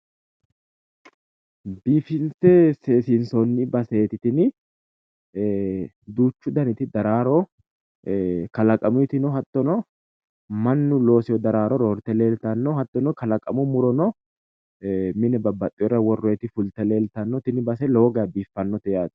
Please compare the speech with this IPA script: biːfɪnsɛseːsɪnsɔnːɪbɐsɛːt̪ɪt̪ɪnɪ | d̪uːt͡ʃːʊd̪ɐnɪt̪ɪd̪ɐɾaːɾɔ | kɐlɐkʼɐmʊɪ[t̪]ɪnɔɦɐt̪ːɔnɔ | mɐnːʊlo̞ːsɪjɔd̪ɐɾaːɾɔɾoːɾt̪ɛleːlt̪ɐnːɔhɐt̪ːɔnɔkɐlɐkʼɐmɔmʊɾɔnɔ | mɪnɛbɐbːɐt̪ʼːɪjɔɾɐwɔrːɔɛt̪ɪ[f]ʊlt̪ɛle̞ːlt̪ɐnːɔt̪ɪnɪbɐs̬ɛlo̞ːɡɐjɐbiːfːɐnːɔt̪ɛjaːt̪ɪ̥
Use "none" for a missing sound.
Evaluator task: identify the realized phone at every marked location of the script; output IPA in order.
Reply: t̪, f

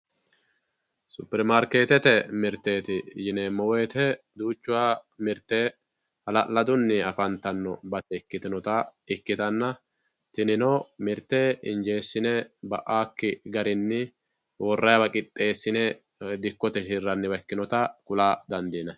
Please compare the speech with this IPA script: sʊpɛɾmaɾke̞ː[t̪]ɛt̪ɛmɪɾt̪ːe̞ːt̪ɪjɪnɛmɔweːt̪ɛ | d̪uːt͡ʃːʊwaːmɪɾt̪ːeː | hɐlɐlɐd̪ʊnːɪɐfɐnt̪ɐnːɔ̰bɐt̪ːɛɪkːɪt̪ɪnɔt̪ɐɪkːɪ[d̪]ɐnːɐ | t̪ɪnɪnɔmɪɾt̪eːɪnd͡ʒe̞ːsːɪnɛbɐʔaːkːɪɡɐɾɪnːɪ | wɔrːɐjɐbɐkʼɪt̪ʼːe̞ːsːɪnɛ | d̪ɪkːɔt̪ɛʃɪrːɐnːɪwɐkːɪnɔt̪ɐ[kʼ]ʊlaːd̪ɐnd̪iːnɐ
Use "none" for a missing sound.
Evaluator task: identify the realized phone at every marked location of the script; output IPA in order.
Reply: t̪, t̪, k

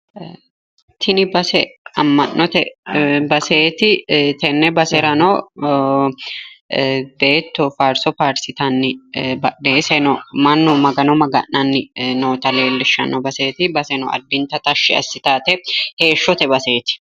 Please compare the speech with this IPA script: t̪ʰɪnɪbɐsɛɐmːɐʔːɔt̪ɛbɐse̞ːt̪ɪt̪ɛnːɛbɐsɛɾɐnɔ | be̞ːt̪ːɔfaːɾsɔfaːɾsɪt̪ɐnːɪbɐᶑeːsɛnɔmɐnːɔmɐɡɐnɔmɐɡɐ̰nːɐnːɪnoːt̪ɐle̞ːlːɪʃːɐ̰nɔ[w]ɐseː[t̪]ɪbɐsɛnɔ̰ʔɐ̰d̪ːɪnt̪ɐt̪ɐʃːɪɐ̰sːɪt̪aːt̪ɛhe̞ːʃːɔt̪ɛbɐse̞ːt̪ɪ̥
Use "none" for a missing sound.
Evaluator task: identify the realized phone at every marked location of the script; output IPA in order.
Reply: b, t̪

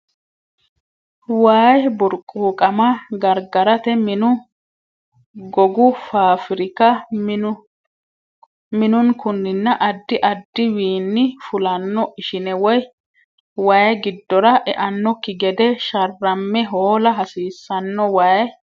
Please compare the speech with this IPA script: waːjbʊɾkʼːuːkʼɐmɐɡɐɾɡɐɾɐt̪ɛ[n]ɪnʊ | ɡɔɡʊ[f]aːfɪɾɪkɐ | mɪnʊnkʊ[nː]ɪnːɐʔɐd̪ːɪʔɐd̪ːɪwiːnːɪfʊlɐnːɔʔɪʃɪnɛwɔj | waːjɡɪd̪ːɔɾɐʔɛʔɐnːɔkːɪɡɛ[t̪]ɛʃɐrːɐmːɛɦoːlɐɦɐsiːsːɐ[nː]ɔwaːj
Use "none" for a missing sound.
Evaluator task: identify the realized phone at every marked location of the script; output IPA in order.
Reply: m, f, nː, d̪, nː

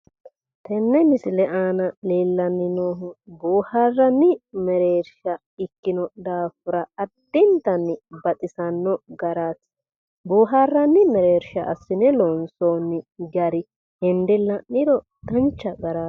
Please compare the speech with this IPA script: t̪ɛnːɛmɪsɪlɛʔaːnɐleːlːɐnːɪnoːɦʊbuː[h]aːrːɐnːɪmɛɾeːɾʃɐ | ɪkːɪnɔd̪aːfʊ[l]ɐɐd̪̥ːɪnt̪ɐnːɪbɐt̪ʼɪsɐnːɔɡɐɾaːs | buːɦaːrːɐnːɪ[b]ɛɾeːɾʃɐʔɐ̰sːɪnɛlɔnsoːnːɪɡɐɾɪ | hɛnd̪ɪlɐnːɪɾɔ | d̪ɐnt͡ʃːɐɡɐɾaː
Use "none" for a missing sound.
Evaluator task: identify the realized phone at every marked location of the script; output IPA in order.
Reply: h, ɾ, m

